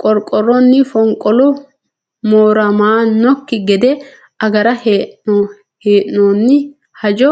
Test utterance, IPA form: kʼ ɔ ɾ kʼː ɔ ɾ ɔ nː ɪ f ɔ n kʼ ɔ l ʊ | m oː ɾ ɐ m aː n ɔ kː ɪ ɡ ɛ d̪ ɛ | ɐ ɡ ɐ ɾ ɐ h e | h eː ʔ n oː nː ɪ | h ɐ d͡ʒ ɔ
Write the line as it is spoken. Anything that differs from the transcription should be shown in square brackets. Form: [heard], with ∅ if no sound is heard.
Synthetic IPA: kʼ ɔ ɾ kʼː ɔ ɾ ɔ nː ɪ f ɔ [ŋ] kʼ ɔ l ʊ | m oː ɾ ɐ m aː n ɔ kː ɪ ɡ ɛ d̪ ɛ | ɐ ɡ ɐ ɾ ɐ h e | h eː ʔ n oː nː ɪ | h ɐ d͡ʒ ɔ